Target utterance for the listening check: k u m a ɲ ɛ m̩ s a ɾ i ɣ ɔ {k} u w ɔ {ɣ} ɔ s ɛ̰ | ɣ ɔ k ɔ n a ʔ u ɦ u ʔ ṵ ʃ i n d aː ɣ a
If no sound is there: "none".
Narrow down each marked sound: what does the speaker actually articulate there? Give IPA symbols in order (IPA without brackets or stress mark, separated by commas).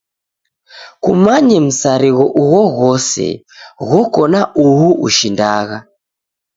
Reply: ʔ, ɣ